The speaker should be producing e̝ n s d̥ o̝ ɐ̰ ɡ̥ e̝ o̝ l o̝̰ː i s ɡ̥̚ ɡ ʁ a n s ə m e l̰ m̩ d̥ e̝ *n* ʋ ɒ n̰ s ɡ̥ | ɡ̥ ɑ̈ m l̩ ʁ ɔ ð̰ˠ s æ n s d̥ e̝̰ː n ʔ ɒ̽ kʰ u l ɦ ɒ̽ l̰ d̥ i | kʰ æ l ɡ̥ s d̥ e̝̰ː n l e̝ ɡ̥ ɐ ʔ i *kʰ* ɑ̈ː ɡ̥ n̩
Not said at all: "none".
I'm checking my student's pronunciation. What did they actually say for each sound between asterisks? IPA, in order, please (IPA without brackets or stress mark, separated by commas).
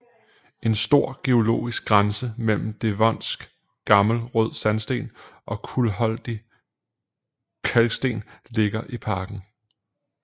none, pʰ